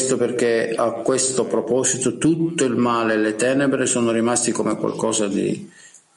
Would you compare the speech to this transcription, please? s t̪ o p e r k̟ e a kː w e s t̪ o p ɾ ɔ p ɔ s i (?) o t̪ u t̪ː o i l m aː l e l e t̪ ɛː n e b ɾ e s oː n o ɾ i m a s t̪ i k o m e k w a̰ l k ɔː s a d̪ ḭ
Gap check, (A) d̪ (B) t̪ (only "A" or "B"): B